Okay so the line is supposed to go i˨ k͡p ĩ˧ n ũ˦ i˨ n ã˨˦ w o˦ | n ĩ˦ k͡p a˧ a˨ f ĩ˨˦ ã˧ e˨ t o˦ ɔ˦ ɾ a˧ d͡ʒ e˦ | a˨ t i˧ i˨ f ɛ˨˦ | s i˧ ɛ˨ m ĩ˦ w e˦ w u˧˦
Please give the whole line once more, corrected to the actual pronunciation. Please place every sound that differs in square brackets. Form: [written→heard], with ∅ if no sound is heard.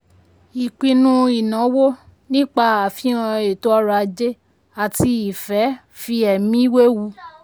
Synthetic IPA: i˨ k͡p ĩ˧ n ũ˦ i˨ n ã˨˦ w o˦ | n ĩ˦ k͡p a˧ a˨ f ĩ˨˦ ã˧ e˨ t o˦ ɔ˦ ɾ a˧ d͡ʒ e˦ | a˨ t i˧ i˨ f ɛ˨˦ | [s→f] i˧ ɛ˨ m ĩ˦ w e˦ w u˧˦